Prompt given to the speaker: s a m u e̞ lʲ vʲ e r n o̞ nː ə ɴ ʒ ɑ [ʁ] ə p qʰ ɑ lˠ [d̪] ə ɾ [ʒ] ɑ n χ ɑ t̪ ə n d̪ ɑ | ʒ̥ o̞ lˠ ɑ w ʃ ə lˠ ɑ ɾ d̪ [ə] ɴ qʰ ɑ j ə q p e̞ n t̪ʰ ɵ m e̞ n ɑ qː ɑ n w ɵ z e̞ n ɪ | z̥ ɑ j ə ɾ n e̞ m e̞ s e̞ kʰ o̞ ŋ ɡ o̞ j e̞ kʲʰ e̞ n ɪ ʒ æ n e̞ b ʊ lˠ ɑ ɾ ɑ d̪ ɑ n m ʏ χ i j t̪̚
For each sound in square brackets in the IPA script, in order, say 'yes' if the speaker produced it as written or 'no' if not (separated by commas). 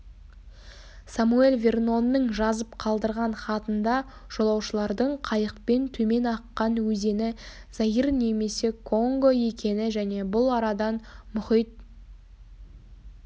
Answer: no, yes, no, yes